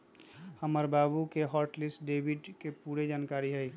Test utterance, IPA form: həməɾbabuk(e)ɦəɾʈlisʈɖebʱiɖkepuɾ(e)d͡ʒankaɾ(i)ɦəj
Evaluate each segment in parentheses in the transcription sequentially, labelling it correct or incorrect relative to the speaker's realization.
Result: correct, correct, correct

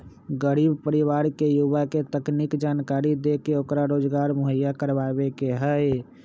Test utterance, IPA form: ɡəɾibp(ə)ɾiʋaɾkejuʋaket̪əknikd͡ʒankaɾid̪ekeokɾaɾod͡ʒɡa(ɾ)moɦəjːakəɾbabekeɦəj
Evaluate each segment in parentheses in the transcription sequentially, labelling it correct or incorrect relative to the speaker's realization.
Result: correct, correct

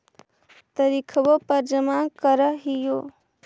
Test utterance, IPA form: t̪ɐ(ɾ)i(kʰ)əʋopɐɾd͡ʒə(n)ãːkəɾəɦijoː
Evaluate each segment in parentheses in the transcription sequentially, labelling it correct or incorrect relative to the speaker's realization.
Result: correct, correct, incorrect

